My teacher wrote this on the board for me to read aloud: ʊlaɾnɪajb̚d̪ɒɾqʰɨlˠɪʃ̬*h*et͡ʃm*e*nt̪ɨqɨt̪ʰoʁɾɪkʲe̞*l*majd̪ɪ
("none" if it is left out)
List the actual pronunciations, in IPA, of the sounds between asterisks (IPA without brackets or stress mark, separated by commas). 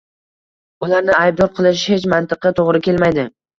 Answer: h, a, l